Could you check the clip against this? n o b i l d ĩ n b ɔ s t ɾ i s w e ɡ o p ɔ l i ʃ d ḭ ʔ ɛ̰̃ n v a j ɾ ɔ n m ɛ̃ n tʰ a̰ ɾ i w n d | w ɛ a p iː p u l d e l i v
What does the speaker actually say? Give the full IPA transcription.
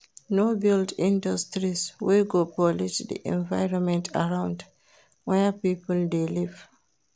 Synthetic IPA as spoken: n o b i l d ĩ n d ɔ s t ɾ i s w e ɡ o p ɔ l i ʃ d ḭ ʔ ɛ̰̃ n v a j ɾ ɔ n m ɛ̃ n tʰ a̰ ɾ a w n d | w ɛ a p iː p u l d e l i v

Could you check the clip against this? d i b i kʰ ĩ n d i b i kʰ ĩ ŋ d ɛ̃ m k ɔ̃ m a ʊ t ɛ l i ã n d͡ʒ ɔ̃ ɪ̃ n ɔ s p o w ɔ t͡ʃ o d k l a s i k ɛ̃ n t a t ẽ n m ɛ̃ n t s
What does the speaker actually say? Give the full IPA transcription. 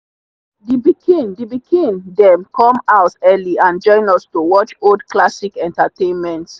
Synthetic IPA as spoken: d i b i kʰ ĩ n d i b i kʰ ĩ n d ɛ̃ m k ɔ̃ m a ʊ t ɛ l i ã n d͡ʒ ɔ̃ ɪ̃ n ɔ s t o w ɔ t͡ʃ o d k l a s i k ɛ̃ n t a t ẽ n m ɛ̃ n t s

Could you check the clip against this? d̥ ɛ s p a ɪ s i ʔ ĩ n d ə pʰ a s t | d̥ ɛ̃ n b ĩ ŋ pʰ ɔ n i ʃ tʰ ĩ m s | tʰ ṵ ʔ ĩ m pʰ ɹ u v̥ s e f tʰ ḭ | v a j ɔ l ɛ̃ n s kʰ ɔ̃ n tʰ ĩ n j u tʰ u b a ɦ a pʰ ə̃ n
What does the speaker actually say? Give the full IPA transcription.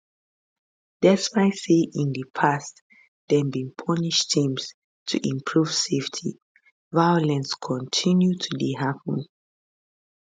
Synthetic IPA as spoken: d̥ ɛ s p a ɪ s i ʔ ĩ n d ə pʰ a s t | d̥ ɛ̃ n b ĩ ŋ pʰ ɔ n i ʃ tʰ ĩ m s | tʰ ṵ ʔ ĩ m pʰ ɹ u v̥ s e f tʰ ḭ | v a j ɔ l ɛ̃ n s kʰ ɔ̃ n tʰ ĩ n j u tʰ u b i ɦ a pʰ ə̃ n

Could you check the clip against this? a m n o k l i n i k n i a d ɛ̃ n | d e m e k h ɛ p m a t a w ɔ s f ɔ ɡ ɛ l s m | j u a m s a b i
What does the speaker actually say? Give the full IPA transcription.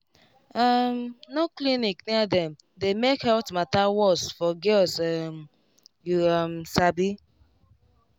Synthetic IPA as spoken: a m n o k l i n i k n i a d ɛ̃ m | d e m e k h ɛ t m a t a w ɔ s f ɔ ɡ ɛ l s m | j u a m s a b i

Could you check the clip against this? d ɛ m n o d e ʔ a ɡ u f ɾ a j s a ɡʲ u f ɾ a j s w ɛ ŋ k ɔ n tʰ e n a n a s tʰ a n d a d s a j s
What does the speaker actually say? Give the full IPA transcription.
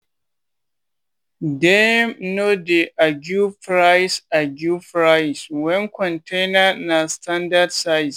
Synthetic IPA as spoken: d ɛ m n o d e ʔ a ɡ u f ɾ a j s a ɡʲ u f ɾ a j s w ɛ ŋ k ɔ n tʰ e n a n a s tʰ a n d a d s a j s

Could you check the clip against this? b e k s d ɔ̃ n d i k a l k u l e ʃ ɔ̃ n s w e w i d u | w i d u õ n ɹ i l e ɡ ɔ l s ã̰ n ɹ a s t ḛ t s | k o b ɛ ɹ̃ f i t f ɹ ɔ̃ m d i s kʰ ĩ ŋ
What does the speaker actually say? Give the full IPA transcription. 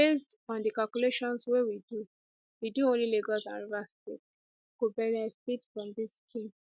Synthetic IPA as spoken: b e s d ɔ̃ n d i k a l k u l e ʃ ɔ̃ n s w e w i d u | w i d u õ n l i l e ɡ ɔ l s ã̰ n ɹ a s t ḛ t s | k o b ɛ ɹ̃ f i t f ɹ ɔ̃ m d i s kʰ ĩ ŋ

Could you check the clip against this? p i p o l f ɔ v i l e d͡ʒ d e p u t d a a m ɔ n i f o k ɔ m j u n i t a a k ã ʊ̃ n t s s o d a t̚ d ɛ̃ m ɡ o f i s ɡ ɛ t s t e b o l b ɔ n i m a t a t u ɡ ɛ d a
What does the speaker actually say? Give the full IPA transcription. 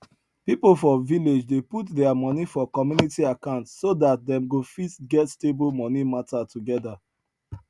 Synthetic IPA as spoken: p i p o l f ɔ v i l e d͡ʒ d e p u t d ɛ a m ɔ n i f ɔ k ɔ m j u n i t i a k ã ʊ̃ n t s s o d a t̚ d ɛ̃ m ɡ o f i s ɡ ɛ t s t e b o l m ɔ n i m a t a t u ɡ ɛ d a

